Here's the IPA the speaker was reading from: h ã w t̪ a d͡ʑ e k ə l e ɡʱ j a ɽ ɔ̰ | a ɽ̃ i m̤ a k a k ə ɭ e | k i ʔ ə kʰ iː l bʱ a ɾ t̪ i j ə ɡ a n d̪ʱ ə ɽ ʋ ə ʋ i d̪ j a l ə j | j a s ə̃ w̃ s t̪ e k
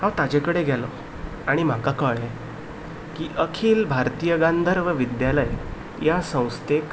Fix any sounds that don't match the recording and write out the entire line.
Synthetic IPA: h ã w t̪ a d͡ʑ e k ə ɽ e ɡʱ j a l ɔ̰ | a ɽ̃ i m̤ a k a k ə ɭ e | k i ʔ ə kʰ iː l bʱ a ɾ t̪ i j ə ɡ a n d̪ʱ ə ɾ ʋ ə ʋ i d̪ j a l ə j | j a s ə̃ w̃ s t̪ e k